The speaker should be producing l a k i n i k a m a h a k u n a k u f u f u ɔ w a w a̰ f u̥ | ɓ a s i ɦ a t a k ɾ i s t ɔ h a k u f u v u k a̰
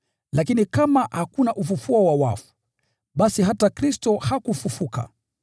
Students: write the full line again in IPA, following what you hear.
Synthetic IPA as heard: l a k i n i k a m a h a k u n a ʔ u f u f u ɔ w a w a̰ f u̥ | ɓ a s i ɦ a t a k ɾ i s t ɔ h a k u f u f u k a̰